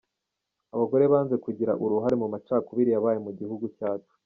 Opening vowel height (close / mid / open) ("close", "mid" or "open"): open